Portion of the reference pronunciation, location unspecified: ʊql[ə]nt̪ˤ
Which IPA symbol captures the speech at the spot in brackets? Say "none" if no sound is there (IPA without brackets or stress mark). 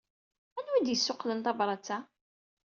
ə